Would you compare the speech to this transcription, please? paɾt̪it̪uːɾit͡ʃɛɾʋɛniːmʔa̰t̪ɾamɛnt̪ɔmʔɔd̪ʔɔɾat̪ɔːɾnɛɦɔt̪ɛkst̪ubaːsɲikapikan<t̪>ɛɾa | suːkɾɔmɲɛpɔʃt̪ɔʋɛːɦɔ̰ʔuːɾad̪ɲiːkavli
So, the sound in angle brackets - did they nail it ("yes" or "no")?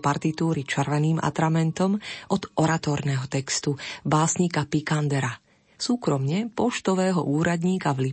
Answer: no